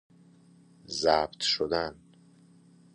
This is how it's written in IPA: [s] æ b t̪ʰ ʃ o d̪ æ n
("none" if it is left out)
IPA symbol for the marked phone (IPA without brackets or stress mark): z